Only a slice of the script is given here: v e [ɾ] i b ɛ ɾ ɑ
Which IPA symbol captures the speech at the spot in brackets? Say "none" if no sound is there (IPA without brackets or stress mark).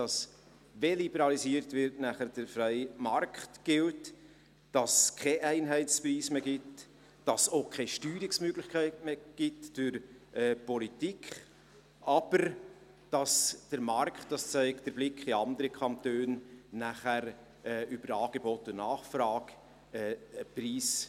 l